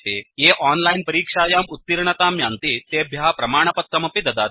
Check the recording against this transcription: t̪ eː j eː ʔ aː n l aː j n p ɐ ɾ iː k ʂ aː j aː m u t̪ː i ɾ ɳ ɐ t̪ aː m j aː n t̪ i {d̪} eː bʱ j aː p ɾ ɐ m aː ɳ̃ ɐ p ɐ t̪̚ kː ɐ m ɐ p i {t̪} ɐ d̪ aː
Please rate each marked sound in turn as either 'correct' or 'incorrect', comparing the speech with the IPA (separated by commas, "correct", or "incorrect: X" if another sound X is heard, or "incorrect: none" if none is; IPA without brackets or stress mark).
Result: incorrect: t̪, incorrect: d̪